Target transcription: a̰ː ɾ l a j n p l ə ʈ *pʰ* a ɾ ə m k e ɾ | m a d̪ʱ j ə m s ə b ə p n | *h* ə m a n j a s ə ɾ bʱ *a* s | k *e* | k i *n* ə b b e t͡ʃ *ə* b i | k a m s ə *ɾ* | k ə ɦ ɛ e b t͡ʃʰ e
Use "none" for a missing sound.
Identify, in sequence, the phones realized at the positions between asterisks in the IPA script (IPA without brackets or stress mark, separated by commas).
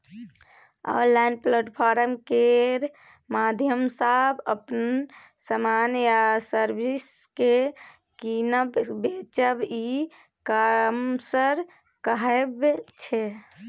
pʰ, s, i, e, n, ə, ɾ